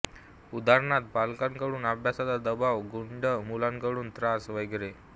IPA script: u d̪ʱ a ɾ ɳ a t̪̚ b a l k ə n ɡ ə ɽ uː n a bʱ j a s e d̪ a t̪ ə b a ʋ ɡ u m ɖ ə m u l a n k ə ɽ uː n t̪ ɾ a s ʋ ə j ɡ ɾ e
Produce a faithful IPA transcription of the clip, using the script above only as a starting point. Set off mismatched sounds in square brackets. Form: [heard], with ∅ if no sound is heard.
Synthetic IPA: u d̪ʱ a ɾ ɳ a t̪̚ b a l k [a] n [k] ə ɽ uː n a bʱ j a s [a] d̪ a [d̪] ə b a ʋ ɡ u [ɳ] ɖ ə m u l a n k ə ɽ uː n t̪ ɾ a s ʋ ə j ɡ ɾ e